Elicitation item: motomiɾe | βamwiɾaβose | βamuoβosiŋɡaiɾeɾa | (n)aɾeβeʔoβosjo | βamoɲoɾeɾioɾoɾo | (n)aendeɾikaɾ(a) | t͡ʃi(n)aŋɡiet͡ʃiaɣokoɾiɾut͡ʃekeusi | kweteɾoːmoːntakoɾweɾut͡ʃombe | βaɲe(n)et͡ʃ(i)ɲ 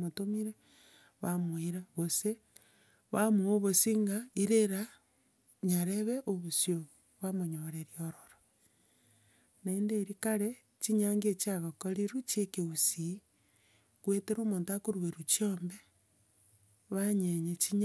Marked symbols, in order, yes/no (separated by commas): no, yes, no, no, no, yes